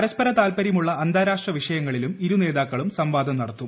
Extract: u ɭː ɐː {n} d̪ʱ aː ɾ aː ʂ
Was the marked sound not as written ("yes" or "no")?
no